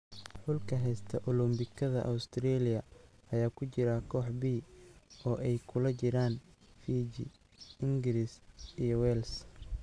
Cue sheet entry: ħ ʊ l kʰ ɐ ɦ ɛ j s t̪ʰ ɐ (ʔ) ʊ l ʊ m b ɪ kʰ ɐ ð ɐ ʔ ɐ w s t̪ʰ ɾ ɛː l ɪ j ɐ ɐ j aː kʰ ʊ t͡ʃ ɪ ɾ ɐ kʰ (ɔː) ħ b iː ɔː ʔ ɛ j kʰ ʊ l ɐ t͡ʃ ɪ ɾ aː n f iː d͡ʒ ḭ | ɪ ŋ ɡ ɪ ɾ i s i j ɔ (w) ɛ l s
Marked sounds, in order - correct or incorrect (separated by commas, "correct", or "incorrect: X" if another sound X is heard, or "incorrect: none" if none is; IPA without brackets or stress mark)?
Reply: correct, correct, correct